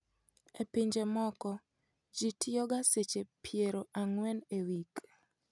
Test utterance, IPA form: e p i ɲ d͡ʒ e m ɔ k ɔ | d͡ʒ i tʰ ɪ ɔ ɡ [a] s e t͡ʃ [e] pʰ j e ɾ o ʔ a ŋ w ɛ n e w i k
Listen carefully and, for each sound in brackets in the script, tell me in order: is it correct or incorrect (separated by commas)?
correct, correct